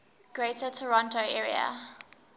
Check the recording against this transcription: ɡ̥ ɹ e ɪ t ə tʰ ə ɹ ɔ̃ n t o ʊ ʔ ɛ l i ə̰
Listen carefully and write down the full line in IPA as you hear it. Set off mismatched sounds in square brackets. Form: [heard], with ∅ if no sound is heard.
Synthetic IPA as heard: ɡ̥ ɹ e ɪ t ə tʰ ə ɹ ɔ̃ n t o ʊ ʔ ɛ [ɹ] i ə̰